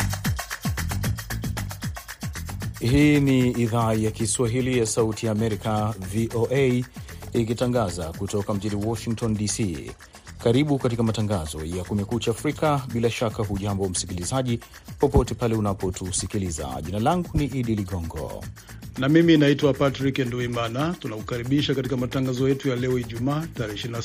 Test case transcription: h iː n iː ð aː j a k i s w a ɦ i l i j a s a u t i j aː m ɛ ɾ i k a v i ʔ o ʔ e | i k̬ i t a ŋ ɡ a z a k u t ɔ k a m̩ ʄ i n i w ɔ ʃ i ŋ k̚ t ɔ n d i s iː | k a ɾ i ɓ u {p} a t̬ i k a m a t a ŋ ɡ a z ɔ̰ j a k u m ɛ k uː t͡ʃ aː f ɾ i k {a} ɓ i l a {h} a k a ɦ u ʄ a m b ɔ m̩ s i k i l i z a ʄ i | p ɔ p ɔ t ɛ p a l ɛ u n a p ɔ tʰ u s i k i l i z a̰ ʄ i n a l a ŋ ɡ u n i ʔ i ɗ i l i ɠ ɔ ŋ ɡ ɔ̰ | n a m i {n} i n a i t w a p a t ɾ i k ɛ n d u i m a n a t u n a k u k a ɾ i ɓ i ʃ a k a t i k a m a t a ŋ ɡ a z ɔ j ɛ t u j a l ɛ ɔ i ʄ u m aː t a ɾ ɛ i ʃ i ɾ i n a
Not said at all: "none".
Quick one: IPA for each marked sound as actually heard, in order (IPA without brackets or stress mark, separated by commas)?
k, a, ʃ, m